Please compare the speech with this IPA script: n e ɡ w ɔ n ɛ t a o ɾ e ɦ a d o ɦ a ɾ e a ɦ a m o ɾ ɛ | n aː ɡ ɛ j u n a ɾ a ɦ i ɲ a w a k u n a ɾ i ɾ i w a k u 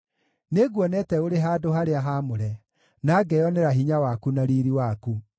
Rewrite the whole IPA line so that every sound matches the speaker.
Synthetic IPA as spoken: n e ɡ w ɔ n ɛ t ɛ o ɾ e ɦ a d o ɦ a ɾ e a ɦ a m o ɾ ɛ | n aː ɡ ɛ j ɔ n e ɾ a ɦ i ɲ a w a k u n a ɾ i ɾ i w a k u